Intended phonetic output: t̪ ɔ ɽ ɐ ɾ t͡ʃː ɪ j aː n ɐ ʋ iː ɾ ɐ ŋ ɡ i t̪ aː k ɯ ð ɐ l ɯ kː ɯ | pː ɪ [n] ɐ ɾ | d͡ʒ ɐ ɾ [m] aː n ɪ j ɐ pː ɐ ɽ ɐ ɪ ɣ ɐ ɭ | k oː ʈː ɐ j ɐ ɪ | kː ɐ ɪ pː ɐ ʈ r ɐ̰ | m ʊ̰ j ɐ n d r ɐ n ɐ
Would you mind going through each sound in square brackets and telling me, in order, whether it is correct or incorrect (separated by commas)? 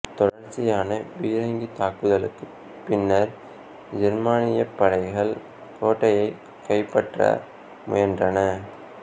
incorrect, correct